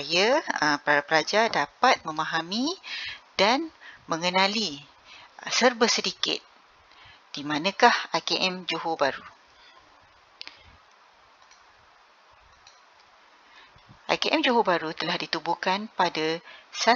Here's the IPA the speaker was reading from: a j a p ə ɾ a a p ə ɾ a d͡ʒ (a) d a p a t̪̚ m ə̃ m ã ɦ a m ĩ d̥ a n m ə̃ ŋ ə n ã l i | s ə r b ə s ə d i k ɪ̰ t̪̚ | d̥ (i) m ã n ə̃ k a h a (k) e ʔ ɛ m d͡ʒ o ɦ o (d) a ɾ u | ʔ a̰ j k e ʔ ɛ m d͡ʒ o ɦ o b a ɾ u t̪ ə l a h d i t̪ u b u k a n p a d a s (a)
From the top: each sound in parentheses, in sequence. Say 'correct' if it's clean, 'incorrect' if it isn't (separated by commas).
correct, correct, correct, incorrect, correct